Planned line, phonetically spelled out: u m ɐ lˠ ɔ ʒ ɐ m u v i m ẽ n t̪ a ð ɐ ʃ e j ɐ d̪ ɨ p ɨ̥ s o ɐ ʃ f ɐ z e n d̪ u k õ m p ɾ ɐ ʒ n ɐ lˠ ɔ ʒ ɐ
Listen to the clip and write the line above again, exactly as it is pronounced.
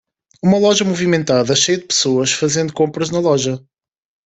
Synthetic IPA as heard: u m ɐ lˠ ɔ ʒ ɐ m u v i m ẽ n t̪ a ð ɐ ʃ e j ɐ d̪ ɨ p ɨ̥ s o ɐ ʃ f ɐ z ẽ n d̪ u k õ m p ɾ ɐ ʒ n ɐ lˠ ɔ ʒ ɐ